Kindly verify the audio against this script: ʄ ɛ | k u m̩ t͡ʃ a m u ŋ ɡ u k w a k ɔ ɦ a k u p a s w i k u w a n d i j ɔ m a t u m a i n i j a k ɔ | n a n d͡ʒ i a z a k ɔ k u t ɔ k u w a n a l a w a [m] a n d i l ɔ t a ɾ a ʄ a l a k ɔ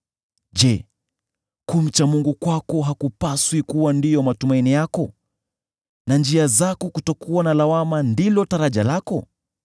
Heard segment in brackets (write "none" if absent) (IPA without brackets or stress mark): m